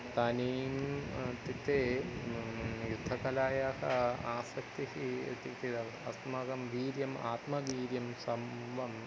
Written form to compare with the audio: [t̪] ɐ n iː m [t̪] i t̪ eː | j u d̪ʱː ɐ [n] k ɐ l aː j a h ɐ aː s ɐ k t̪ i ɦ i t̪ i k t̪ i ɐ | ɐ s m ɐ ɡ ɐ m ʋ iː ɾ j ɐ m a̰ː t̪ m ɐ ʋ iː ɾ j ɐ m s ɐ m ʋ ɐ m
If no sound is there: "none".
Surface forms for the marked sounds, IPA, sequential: t̪, t̪, none

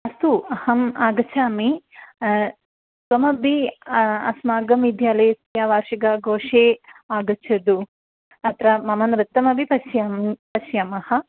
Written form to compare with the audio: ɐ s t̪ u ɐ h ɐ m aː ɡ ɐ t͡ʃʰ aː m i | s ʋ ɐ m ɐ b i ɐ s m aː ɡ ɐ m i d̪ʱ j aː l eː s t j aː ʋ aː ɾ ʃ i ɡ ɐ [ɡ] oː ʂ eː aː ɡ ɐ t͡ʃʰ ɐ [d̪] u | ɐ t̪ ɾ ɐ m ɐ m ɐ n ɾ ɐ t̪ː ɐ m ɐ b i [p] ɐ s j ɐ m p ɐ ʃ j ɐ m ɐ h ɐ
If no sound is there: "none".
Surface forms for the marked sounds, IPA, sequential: ɡ, d̪, p

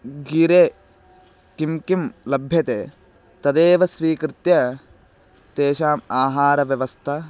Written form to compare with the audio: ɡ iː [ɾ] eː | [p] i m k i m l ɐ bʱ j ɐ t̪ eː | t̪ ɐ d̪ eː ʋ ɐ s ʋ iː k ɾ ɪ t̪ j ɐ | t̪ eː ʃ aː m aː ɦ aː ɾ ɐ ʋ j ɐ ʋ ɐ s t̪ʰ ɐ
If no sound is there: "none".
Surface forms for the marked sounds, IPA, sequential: ɾ, k

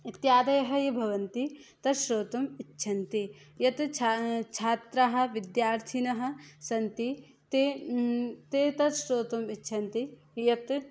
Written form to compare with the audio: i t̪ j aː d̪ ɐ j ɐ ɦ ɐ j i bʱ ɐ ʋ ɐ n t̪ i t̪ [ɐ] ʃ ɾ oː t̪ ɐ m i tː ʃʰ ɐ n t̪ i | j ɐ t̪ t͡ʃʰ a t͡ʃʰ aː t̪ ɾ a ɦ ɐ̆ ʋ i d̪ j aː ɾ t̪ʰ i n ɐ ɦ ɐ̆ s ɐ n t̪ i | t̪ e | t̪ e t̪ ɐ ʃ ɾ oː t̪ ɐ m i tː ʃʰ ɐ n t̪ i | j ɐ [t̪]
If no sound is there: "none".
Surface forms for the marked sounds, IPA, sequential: ɐ, t̪

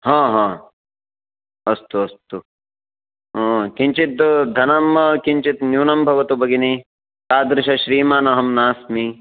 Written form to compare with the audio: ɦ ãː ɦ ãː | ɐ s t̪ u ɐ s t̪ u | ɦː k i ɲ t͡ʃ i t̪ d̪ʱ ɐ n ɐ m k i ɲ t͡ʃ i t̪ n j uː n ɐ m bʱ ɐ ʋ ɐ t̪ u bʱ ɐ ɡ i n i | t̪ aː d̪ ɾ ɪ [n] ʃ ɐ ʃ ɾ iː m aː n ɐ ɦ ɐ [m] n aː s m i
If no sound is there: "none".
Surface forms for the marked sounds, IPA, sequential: none, m

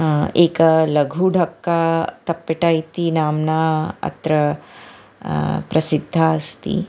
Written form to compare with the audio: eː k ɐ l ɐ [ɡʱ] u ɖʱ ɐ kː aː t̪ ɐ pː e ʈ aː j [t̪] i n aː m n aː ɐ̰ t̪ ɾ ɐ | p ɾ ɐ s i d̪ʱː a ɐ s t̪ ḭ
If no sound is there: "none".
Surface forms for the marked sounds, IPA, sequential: ɡʱ, t̪

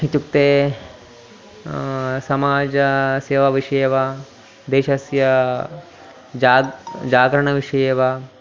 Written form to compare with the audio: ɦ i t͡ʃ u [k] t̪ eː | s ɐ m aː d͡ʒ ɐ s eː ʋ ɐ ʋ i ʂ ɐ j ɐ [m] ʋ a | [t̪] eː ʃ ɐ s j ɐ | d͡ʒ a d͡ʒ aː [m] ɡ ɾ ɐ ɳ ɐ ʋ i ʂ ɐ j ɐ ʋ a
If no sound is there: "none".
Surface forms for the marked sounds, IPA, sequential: k, none, d̪, none

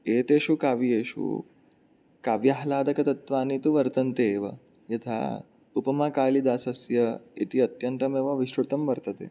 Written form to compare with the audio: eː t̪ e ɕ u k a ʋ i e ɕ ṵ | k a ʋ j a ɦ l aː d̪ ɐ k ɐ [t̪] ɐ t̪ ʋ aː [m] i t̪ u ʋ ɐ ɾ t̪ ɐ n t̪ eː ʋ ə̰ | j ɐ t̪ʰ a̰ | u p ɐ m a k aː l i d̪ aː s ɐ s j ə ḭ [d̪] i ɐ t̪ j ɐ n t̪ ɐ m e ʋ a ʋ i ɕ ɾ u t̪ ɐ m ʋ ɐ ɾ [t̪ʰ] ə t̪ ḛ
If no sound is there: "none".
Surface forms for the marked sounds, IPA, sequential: t̪, n, t̪, t̪

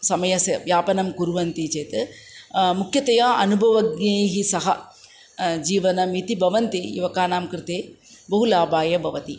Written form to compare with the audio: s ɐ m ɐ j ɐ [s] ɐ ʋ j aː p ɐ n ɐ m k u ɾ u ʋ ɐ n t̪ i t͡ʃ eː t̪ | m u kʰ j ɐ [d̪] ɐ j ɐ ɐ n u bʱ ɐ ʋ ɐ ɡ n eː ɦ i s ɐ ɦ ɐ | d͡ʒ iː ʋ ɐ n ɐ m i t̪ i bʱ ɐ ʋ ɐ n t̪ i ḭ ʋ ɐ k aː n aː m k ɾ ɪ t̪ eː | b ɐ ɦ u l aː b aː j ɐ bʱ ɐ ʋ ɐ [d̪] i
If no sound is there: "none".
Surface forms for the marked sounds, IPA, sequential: s, t̪, t̪

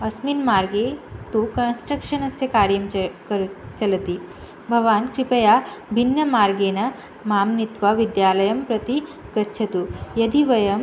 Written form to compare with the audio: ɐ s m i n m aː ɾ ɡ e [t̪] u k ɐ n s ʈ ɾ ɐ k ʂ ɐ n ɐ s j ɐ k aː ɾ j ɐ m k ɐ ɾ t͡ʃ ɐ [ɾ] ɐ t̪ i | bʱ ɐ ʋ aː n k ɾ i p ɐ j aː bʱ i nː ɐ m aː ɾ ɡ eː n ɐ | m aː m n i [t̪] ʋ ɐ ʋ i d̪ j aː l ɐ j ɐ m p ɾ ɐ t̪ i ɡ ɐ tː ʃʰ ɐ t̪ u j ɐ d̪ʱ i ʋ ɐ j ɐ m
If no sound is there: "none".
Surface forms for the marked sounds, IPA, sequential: t̪, l, t̪

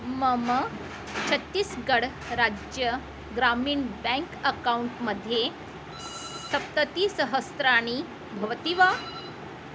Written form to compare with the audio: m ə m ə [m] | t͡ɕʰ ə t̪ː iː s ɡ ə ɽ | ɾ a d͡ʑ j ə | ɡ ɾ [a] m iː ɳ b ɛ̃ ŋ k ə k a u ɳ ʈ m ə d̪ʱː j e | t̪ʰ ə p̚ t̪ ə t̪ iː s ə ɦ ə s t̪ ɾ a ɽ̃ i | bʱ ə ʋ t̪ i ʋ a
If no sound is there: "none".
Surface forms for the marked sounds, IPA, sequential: none, a

